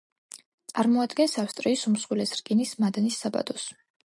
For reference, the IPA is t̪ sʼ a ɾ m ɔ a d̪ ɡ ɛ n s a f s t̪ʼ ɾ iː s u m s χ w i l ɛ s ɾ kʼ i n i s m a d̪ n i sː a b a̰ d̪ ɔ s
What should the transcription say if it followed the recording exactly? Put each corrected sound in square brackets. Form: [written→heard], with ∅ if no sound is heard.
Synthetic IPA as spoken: t̪ sʼ a ɾ m ɔ a d̪ ɡ ɛ n s a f s t̪ʼ ɾ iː s u m s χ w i l ɛ s ɾ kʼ i n i s m a d̪ n i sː a b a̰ d̪ ɔ s